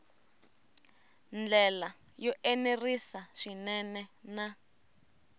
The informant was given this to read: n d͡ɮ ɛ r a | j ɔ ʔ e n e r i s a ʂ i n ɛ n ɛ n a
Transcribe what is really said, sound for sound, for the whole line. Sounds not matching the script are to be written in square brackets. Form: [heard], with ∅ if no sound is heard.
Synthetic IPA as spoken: n d͡ɮ ɛ [l] a | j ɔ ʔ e n e r i s a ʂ i n ɛ n ɛ n a